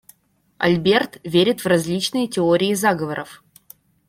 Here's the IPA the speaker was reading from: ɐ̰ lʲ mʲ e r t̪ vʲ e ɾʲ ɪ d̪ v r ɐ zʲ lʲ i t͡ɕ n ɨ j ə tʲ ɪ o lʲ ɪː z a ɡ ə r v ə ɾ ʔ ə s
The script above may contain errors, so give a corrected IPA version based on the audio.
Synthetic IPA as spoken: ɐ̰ lʲ bʲ e r t̪ vʲ e ɾʲ ɪ t̪ v r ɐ zʲ lʲ i t͡ɕ n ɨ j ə tʲ ɪ o ɾʲ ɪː z a ɡ ə v ə ɾ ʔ ə f